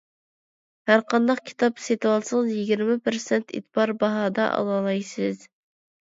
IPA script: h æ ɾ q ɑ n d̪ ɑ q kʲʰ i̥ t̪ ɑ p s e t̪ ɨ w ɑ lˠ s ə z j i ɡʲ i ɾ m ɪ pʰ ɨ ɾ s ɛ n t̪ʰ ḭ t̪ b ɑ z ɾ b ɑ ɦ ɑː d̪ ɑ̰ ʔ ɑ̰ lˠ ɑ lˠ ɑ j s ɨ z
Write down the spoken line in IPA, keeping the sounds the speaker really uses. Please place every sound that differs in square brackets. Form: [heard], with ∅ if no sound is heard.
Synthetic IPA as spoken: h æ ɾ q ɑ n d̪ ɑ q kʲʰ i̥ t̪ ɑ p s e t̪ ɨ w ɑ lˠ s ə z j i ɡʲ i ɾ m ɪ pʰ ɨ ɾ s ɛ n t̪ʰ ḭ t̪ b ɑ [∅] ɾ b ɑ ɦ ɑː d̪ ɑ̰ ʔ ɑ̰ lˠ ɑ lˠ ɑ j s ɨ z